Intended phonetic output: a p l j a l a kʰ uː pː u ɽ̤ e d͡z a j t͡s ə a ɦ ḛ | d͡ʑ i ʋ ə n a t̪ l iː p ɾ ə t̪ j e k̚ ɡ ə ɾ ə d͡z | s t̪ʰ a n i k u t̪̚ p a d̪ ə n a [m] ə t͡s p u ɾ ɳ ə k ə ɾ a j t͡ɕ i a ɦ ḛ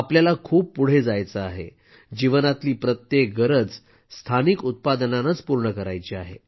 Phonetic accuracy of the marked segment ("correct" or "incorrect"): incorrect